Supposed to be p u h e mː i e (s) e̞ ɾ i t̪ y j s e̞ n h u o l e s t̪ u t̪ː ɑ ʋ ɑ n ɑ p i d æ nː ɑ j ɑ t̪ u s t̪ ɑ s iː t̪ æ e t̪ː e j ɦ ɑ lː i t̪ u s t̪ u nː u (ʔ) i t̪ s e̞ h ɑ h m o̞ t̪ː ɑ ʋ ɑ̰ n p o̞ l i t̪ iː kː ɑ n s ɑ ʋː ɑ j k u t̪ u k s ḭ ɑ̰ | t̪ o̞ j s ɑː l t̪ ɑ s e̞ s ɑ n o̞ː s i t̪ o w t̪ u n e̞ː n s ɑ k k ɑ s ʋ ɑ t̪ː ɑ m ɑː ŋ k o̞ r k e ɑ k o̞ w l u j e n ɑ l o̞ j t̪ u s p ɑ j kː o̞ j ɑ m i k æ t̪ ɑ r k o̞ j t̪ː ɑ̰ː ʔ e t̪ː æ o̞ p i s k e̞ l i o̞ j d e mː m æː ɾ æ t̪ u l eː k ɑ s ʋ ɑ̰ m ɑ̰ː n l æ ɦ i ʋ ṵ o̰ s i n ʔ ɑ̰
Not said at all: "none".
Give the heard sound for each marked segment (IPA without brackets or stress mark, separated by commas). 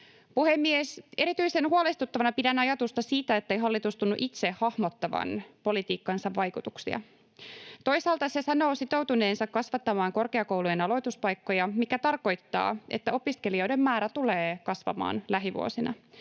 s, ʔ